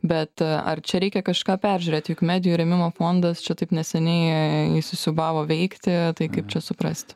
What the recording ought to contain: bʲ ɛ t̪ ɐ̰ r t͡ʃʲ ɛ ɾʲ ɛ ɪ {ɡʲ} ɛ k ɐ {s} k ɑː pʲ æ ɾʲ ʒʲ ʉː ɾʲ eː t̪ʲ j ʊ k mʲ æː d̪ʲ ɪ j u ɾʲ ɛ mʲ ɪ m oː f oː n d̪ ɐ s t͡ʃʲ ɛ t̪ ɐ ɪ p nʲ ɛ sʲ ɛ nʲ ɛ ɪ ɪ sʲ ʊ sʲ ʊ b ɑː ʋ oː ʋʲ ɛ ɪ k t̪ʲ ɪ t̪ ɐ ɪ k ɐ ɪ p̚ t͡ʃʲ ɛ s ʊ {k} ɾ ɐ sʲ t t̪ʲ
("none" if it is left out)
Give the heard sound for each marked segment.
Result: kʲ, ʃ, p

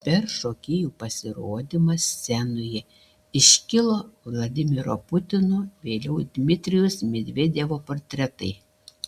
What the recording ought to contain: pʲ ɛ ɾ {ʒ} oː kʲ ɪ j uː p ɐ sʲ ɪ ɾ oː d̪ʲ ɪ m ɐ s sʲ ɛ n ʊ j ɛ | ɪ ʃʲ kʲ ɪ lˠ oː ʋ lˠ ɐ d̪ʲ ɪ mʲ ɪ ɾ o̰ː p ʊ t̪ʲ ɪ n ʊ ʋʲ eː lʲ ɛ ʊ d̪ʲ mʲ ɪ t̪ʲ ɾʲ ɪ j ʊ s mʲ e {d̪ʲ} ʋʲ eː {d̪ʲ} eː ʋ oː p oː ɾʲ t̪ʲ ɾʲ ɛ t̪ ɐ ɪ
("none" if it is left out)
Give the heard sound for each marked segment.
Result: ʃ, d̪ʲ, d̪ʲ

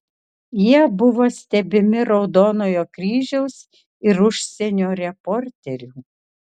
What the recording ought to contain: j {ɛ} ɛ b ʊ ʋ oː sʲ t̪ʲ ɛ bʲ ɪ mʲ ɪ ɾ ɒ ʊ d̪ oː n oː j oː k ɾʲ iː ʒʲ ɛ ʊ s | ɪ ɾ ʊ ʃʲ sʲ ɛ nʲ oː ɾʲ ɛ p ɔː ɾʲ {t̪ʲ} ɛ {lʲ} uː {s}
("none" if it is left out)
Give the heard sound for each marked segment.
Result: i, t̪ʲ, ɾʲ, none

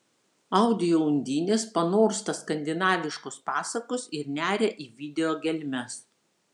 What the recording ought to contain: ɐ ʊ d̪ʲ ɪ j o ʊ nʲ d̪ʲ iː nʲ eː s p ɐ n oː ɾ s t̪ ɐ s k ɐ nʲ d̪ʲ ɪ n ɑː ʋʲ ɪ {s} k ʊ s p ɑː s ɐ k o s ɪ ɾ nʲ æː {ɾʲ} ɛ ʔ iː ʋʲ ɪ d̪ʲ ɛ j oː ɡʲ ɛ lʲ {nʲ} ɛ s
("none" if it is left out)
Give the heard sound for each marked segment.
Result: ʃ, ɾʲ, mʲ

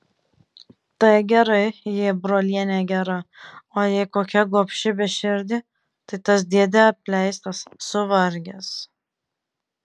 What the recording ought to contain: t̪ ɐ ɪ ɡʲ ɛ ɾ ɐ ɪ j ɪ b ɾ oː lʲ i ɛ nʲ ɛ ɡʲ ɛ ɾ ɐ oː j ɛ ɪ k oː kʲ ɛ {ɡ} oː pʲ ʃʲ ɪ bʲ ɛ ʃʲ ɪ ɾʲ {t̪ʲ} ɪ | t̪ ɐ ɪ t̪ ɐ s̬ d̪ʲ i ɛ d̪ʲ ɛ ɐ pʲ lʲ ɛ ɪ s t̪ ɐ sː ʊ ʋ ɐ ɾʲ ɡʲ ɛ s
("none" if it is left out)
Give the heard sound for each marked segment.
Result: ɡ, d̪ʲ

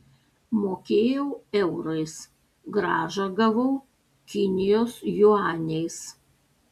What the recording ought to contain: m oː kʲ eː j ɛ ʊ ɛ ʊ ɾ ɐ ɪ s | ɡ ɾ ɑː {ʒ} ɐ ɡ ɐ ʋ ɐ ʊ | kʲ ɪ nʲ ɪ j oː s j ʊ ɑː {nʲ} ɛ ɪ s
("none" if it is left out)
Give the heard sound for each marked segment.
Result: ʒ, nʲ

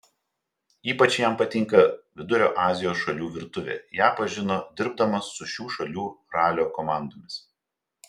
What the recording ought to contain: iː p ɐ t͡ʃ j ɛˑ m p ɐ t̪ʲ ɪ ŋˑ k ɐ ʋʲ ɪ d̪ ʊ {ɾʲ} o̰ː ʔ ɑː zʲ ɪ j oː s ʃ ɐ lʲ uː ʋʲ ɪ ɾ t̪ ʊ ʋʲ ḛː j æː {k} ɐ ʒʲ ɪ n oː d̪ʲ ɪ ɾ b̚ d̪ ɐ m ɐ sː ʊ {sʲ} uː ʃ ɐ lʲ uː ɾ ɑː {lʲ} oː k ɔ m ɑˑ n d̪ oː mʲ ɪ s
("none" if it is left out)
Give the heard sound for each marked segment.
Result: ɾʲ, p, ʃʲ, lʲ

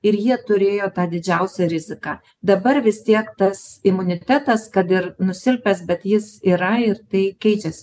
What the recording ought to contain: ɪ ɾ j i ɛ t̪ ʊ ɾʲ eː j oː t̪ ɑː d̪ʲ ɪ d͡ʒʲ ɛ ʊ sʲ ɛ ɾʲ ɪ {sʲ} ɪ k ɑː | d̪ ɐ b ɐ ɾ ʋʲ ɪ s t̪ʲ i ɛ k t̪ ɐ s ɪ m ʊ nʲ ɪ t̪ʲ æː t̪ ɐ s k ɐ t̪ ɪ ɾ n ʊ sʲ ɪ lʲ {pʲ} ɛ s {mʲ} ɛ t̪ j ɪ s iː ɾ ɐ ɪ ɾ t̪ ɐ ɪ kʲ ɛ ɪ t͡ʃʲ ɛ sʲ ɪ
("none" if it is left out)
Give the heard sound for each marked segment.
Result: zʲ, pʲ, bʲ

